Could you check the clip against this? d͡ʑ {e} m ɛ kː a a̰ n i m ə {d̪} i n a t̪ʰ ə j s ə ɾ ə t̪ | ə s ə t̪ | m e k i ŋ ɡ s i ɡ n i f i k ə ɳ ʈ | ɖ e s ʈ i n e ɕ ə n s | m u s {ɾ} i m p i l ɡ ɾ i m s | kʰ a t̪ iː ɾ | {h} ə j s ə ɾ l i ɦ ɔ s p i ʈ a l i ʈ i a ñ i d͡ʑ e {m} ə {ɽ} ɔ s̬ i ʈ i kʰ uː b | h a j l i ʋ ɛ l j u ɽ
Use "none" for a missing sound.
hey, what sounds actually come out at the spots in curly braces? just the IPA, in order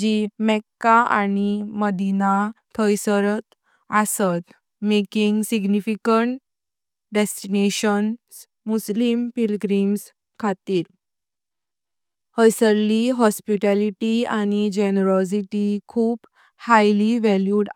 i, d̪, l, h, n, ɾ

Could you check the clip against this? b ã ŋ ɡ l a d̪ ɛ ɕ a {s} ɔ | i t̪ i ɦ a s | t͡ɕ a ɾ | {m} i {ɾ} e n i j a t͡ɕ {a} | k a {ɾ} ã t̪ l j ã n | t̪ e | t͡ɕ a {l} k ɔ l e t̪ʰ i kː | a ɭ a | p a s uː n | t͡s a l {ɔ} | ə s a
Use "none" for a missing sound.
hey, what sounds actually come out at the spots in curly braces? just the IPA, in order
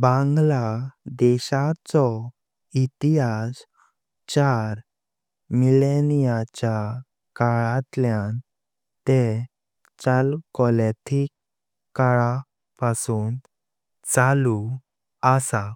t͡s, m, l, a, ɭ, l, u

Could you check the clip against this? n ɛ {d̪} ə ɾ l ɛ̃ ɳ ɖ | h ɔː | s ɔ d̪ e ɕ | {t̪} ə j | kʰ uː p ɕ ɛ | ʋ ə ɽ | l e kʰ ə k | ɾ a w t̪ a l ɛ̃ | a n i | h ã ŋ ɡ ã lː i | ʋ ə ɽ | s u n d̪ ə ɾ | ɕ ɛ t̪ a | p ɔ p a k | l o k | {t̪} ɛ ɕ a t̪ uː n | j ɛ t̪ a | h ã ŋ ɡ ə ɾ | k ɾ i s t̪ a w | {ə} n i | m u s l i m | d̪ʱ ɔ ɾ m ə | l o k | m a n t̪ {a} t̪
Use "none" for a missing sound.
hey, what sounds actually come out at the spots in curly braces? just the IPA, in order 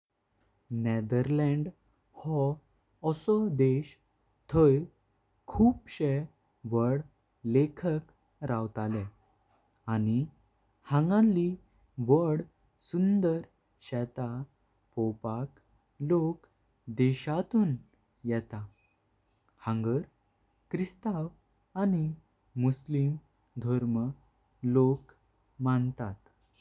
d̪, t̪ʰ, d̪, a, a

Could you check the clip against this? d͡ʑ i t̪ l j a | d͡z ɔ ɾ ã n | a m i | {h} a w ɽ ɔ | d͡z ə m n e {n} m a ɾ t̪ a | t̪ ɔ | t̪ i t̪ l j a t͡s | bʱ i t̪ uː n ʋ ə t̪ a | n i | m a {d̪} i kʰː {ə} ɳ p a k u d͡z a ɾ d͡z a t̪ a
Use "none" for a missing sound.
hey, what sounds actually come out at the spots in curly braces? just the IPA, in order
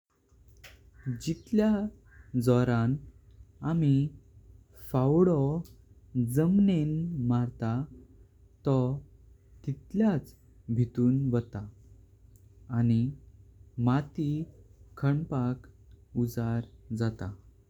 f, n, t̪, ə

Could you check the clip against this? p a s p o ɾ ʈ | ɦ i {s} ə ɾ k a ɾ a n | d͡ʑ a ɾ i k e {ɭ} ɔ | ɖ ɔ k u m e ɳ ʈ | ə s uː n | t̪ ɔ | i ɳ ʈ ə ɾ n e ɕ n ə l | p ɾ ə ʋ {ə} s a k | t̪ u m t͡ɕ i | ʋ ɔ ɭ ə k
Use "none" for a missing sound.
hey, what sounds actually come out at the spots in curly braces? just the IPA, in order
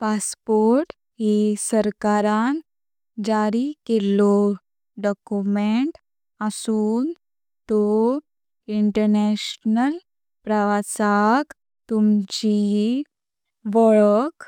s, l, a

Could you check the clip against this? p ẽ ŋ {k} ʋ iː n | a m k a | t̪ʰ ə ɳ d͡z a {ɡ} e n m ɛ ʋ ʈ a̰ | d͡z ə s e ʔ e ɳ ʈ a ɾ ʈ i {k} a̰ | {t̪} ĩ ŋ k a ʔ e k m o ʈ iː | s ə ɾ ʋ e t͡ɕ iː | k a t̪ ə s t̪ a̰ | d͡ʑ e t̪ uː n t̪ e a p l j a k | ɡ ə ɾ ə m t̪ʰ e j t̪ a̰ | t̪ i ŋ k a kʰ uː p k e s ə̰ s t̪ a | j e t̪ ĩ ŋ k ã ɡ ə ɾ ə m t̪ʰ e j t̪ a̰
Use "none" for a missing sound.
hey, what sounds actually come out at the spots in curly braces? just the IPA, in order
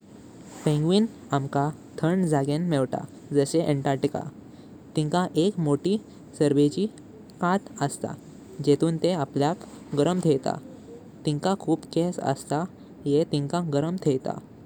ɡ, ɡ, k, t̪

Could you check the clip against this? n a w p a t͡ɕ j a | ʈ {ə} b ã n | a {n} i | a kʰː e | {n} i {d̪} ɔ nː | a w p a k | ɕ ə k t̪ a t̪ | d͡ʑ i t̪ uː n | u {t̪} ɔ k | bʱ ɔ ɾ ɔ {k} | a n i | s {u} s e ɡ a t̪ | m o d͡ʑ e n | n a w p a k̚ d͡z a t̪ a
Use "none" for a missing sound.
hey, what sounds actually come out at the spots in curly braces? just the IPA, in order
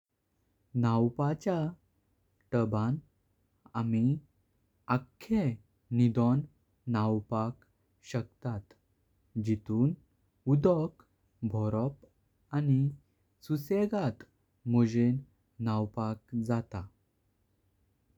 ə, m, n, d̪, d̪, p, u

